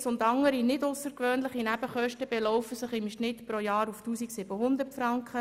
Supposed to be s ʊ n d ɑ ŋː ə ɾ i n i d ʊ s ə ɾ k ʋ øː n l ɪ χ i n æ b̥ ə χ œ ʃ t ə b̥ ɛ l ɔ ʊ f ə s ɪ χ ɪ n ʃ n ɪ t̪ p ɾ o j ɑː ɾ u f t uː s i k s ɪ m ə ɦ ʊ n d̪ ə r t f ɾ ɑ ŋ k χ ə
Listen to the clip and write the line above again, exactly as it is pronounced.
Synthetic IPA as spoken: s ʊ n d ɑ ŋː ə ɾ i n ɪ d ʊ s ə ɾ k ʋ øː n l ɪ χ i n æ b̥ ə χ œ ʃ t ə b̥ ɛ l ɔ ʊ f ə s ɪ χ ɪ m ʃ n ɪ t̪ p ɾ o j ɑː ɾ u f t uː s i k s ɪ b ə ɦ ʊ n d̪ ə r t f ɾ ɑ ŋ k χ ə